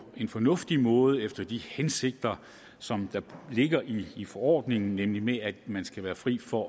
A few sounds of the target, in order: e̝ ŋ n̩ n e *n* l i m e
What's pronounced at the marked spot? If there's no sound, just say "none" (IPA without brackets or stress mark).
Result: m